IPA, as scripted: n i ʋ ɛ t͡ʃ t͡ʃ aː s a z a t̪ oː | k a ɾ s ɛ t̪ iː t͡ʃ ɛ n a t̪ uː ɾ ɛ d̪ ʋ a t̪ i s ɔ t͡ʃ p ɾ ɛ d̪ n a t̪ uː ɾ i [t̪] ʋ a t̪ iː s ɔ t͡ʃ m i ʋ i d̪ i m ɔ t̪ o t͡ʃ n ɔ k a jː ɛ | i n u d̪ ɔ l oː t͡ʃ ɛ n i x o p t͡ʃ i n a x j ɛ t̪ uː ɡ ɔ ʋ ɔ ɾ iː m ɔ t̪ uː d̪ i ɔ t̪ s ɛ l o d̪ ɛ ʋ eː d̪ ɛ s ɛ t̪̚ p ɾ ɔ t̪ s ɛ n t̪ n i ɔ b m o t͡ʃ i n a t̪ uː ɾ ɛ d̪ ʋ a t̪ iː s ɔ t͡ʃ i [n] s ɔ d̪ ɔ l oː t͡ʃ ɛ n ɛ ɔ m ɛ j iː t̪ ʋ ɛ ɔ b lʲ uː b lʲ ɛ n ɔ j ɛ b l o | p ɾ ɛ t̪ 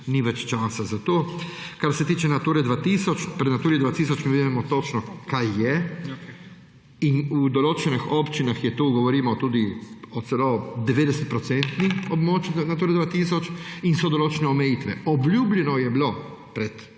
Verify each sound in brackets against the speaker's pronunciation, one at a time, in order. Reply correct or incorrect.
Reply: incorrect: d̪, correct

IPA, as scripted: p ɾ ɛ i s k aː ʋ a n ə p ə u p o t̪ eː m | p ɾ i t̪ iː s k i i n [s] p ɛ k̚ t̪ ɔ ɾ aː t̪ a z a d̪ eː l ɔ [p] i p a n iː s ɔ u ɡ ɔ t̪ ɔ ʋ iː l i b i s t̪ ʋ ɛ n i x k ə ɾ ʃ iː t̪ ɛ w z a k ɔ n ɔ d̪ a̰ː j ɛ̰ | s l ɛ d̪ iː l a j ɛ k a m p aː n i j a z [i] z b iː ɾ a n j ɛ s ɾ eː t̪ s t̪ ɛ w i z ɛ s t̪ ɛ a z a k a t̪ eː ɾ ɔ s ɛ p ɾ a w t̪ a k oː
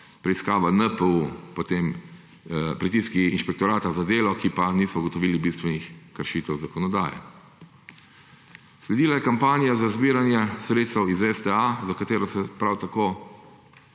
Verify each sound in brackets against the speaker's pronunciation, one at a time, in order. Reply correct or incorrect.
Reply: incorrect: ʃ, incorrect: k, incorrect: a

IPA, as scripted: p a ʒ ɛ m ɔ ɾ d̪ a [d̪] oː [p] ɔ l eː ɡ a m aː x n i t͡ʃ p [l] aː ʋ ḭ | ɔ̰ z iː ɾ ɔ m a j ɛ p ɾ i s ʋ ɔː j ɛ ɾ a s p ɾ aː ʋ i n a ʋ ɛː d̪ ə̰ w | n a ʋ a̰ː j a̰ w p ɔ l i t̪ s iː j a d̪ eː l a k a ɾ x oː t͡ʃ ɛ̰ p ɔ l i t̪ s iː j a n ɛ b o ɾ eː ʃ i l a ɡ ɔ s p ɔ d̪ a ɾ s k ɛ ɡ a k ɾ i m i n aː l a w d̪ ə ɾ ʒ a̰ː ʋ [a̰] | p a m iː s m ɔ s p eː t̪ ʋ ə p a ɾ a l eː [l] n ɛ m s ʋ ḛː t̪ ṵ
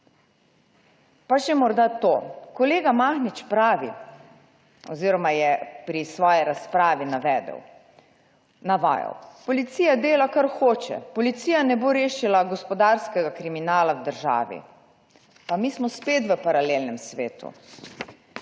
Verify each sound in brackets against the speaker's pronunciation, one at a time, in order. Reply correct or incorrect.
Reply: incorrect: t̪, incorrect: k, incorrect: ɾ, incorrect: ḭ, correct

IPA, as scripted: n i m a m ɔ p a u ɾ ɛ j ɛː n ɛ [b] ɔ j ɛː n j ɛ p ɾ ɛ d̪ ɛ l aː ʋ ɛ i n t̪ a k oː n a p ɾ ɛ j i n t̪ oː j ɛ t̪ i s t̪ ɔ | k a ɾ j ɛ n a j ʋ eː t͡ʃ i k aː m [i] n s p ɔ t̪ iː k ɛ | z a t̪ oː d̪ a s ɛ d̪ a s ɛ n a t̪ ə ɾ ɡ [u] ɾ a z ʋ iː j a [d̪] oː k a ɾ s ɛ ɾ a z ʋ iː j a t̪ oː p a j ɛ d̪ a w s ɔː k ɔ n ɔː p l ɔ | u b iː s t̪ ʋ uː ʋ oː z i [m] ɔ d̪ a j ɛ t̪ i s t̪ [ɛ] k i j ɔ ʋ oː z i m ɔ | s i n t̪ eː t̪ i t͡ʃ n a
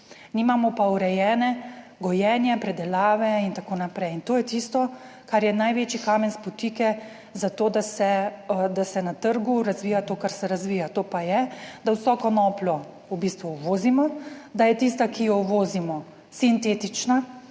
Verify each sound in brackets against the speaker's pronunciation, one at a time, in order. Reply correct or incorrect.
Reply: incorrect: ɡ, incorrect: ɛ, correct, incorrect: t̪, correct, incorrect: a

